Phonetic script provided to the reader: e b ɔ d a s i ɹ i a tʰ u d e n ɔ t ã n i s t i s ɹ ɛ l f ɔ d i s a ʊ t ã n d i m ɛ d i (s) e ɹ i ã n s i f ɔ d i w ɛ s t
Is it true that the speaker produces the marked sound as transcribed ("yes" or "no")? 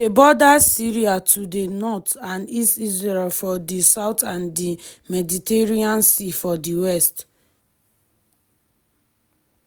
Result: no